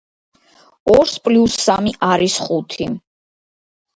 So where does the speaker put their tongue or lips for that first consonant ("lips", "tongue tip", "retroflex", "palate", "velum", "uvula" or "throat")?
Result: tongue tip